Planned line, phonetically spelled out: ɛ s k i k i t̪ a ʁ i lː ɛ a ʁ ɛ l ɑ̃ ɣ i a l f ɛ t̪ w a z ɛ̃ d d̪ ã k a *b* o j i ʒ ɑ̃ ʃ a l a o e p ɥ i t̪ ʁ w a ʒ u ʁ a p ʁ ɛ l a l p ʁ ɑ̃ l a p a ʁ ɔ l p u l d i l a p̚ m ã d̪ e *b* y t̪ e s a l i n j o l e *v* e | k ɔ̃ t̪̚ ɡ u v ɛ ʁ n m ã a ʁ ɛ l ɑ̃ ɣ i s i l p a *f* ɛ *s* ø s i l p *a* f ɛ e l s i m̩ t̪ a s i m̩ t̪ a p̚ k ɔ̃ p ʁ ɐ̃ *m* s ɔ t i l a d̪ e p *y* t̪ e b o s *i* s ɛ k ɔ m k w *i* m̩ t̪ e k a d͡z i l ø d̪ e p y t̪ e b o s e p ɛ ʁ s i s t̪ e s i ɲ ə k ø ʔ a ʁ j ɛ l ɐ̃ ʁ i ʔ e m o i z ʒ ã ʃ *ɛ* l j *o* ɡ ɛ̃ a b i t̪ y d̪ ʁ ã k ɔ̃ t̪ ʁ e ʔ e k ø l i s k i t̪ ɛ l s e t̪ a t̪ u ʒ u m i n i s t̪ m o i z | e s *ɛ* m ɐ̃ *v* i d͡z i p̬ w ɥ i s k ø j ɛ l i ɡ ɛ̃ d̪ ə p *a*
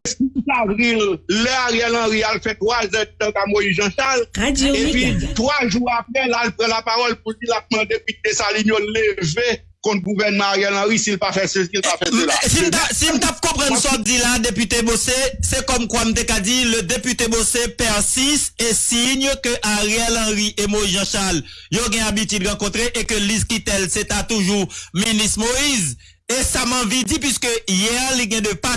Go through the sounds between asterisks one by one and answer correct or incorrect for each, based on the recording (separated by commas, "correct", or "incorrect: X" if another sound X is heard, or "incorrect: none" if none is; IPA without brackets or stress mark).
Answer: incorrect: m, incorrect: p, correct, correct, correct, correct, incorrect: n, correct, incorrect: e, incorrect: a, incorrect: a, correct, incorrect: a, correct, correct